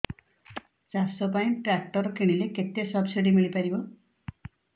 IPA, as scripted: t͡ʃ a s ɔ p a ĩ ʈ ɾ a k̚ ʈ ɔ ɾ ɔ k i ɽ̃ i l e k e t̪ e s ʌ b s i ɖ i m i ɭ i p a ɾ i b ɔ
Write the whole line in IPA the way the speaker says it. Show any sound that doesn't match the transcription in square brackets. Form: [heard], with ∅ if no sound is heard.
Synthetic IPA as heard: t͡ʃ a s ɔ p a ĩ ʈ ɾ a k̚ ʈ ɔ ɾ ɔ k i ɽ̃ i l e k e t̪ e s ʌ b s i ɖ i m i ɭ i p a ɾ i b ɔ